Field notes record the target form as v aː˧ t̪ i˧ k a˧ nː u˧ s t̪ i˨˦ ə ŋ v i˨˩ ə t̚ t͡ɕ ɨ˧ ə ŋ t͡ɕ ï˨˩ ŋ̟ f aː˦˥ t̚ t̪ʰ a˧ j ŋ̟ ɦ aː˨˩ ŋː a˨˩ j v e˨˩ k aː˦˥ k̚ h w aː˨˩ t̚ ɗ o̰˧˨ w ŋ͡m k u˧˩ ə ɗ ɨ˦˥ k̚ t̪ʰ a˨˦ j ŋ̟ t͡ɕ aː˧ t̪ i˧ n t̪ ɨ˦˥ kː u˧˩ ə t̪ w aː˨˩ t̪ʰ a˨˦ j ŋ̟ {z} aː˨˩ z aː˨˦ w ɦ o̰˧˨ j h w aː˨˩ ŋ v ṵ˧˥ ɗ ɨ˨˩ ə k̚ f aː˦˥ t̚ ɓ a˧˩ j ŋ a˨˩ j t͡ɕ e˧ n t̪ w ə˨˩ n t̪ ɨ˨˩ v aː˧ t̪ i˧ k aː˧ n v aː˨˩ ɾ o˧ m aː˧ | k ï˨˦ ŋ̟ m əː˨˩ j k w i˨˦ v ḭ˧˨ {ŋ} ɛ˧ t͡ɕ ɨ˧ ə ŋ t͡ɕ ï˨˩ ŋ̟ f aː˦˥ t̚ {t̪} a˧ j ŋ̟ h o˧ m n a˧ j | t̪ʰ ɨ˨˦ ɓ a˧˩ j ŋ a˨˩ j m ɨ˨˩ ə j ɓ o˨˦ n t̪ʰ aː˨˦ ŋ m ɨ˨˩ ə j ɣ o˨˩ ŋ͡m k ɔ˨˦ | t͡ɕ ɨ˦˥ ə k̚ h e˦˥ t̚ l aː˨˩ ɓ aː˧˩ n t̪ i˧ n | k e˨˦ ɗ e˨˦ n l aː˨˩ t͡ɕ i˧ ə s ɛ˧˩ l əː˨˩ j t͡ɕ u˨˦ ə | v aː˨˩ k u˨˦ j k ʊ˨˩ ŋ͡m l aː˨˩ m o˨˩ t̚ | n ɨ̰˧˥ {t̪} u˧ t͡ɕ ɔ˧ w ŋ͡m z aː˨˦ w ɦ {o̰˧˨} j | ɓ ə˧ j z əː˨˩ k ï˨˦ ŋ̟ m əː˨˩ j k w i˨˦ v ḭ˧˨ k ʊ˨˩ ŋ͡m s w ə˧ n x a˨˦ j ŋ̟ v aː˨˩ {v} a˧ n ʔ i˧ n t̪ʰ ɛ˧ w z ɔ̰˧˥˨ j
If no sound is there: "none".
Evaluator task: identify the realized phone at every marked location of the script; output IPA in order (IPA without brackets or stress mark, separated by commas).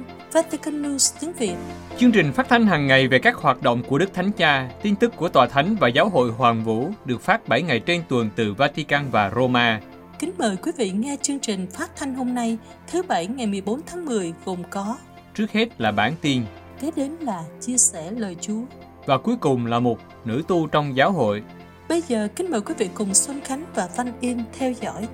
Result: v, ŋ, t̪ʰ, t̪, o̰˧˨, v